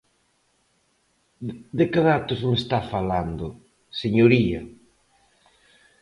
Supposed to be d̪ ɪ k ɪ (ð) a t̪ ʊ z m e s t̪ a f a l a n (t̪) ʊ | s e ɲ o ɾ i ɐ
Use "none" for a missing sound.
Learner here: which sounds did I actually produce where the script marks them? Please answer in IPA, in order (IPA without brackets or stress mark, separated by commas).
ð, d̪